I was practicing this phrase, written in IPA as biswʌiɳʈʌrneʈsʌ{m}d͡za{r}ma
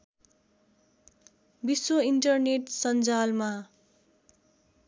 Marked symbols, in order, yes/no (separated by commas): no, no